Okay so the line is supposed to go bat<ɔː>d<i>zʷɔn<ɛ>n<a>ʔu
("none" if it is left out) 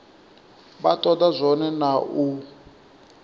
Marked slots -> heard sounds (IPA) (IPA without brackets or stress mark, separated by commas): ɔ, a, ɛ, a